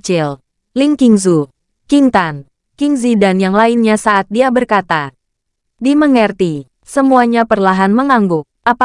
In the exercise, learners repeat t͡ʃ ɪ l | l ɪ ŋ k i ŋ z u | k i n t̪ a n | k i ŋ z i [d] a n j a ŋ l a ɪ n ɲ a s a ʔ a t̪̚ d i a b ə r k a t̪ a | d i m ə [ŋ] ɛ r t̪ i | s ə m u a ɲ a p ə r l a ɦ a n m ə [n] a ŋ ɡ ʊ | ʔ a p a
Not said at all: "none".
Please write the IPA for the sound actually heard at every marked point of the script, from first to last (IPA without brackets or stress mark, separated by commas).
d, ŋ, ŋ